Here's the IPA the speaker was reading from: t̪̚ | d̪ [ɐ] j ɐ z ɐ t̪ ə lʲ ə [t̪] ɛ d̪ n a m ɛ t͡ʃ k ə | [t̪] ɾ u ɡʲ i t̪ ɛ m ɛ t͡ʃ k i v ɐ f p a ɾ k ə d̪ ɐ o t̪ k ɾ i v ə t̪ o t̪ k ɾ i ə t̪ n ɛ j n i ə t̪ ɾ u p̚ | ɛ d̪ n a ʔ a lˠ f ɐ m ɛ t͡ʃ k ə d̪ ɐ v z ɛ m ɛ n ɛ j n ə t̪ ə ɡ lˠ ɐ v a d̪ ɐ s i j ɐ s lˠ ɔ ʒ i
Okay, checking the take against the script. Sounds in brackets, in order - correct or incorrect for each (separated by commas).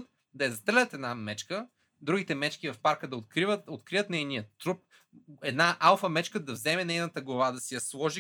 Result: correct, correct, incorrect